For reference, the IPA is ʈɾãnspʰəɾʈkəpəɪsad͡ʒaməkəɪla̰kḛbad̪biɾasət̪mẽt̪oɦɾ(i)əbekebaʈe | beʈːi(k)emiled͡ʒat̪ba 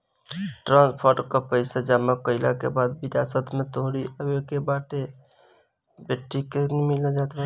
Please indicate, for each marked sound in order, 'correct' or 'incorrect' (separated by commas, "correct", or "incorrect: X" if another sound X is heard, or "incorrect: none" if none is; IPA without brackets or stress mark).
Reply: correct, correct